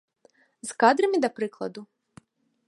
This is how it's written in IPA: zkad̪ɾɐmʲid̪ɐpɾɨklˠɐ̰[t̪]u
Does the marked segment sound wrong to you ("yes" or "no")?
yes